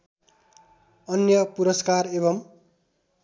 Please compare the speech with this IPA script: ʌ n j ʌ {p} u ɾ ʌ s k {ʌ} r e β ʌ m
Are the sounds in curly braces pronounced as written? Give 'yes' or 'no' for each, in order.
yes, no

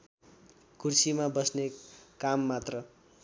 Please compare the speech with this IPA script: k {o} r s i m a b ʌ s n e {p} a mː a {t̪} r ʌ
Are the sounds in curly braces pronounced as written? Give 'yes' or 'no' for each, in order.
no, no, yes

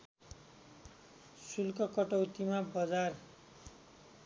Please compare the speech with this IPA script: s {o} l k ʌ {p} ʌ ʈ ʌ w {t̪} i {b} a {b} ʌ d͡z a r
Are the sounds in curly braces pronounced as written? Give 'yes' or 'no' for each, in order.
no, no, yes, no, yes

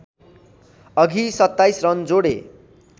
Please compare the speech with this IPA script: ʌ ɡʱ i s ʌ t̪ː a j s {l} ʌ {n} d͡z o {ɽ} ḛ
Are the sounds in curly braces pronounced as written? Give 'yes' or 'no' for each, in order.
no, yes, yes

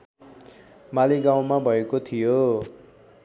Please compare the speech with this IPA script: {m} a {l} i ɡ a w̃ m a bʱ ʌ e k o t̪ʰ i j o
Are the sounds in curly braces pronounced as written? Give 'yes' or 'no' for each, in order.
yes, yes

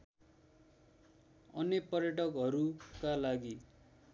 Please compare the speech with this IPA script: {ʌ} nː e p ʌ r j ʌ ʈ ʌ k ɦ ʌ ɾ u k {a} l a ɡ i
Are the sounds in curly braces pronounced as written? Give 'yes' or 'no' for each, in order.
yes, yes

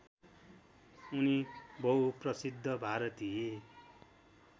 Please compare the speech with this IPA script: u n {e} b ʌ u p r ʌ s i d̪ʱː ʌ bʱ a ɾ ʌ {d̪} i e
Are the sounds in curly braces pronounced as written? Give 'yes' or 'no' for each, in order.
no, no

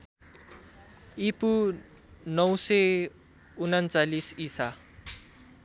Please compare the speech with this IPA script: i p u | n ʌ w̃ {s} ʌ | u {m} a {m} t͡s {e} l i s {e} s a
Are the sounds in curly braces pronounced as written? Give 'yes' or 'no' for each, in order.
yes, no, no, no, no

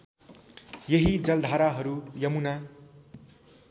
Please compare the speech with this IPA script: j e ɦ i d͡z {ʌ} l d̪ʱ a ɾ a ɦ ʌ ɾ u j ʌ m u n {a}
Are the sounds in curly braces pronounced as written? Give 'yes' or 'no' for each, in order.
yes, yes

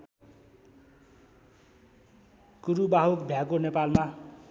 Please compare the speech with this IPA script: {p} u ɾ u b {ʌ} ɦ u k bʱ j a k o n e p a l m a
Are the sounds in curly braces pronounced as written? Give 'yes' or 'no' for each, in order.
no, no

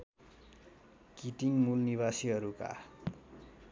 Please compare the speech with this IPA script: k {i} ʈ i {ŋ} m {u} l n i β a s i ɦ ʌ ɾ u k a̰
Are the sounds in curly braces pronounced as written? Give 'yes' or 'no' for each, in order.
yes, yes, yes

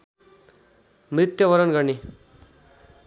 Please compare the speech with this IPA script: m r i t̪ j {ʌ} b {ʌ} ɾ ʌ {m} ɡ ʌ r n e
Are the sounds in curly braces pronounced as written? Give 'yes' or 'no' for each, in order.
yes, yes, no

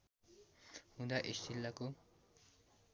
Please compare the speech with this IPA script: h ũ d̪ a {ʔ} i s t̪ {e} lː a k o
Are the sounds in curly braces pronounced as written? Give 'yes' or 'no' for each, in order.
yes, no

